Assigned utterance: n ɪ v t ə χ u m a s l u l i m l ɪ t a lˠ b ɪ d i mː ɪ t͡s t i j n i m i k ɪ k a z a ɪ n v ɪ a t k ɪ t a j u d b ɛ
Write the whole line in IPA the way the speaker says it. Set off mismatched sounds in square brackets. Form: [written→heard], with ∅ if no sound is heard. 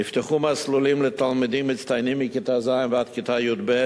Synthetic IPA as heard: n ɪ [v→f] t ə χ u m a s l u l i m l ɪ t a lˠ [b→m] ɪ d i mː ɪ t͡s t [i→a] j n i m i k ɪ [k→t] a z a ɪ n v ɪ a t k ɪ t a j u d b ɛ